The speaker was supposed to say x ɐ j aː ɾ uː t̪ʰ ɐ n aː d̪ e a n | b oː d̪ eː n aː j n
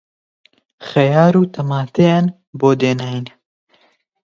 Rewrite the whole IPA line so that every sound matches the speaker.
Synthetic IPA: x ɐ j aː ɾ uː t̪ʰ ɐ m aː t̪ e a n | b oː d̪ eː n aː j n